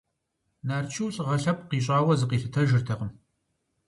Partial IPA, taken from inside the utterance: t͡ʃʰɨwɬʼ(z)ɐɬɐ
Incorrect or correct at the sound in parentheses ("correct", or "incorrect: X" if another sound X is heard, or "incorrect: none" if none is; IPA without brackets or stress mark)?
incorrect: ʁ